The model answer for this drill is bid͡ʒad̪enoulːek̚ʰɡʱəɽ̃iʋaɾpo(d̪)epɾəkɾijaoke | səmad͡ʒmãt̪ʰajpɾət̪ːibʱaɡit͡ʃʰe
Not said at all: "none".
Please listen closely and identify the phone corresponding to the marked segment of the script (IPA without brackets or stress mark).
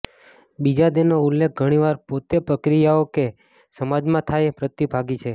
t̪